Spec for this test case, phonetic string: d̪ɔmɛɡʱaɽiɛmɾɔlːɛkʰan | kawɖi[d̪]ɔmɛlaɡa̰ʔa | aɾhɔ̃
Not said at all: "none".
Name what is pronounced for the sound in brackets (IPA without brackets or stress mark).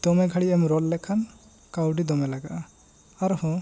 d̪